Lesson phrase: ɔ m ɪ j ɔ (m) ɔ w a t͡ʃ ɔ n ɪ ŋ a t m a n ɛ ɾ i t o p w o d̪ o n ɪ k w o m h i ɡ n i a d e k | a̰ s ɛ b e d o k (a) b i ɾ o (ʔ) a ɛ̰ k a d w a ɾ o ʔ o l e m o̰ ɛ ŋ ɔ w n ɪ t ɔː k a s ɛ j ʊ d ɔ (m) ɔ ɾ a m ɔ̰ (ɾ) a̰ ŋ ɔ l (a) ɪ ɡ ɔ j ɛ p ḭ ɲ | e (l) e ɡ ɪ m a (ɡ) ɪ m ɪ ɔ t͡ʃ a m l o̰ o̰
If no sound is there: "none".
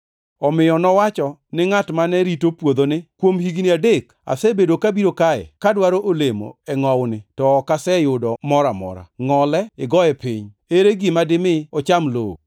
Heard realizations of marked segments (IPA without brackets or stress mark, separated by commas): n, a, k, m, ɾ, ɛ, ɾ, d